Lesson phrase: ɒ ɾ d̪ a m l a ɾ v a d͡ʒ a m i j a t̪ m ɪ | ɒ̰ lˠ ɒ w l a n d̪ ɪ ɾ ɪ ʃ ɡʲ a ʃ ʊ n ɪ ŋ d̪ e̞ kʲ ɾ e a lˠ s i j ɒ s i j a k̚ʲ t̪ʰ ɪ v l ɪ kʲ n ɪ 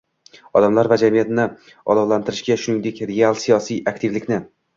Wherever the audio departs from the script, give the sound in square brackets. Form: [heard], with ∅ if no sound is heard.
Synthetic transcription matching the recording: ɒ [∅] d̪ a m l a ɾ v a d͡ʒ a m i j a t̪ [n] ɪ | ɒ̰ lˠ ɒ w l a n [t̪] ɪ ɾ ɪ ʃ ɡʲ a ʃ ʊ n ɪ ŋ d̪ e̞ kʲ ɾ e a lˠ s i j ɒ s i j a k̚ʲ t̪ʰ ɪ v l ɪ kʲ n ɪ